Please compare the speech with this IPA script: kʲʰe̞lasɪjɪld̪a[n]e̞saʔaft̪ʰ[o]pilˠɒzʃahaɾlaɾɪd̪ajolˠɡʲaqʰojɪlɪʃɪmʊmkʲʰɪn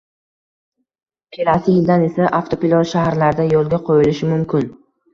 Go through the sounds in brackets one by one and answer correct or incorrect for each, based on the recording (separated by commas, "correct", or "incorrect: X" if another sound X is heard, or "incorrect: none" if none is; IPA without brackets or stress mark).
correct, correct